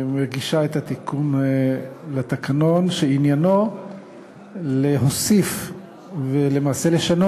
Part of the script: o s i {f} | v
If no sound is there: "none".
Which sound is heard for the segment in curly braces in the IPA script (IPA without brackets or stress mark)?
f